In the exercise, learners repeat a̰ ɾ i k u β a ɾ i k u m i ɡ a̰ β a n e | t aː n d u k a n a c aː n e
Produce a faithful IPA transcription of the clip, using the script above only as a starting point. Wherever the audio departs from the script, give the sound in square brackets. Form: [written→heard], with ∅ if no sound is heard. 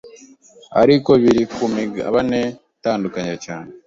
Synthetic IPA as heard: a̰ ɾ i k [u→o] β [a→i] ɾ i k u m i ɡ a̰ β a n e | t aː n d u k a [n→ɲ] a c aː n e